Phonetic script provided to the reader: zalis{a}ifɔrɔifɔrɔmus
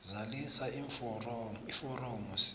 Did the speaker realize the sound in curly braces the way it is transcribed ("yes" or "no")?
yes